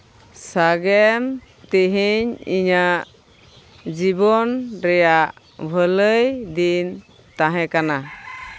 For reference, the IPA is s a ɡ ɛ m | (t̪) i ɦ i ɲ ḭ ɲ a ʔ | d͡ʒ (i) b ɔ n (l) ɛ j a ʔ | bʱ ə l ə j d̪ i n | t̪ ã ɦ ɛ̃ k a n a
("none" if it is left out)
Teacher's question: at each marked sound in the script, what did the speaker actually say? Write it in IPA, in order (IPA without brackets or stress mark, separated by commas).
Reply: t̪, i, ɾ